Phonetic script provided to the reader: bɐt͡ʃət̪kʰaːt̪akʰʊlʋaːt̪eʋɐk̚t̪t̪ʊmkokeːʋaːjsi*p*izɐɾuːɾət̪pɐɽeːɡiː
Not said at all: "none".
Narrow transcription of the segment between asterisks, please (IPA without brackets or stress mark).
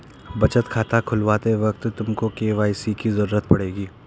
k